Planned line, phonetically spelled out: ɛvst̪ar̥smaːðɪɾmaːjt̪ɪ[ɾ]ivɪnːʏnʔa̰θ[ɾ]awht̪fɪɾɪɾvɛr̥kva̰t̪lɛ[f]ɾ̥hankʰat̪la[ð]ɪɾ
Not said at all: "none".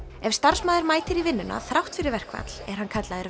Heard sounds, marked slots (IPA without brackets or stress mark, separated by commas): ɾ, ɾ, none, ð